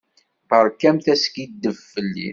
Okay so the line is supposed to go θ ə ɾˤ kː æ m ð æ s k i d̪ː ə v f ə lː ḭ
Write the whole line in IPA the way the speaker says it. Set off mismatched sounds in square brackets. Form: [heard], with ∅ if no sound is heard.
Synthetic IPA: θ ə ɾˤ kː æ m [θ] æ s k i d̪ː ə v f ə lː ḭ